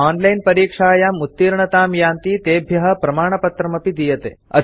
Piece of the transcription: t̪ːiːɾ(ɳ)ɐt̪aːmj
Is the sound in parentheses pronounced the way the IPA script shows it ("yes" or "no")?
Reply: yes